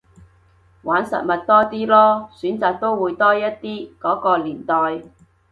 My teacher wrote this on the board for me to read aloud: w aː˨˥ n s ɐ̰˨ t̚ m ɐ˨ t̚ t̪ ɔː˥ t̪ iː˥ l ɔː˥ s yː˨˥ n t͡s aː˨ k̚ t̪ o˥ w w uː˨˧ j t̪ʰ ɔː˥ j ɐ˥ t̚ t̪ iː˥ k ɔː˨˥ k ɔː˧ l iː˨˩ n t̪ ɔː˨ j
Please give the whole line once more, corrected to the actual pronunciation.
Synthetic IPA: w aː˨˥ n s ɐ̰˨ t̚ m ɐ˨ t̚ t̪ ɔː˥ t̪ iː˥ l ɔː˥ s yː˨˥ n t͡s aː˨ k̚ t̪ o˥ w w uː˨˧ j t̪ ɔː˥ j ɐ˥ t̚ t̪ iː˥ k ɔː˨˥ k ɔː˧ l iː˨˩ n t̪ ɔː˨ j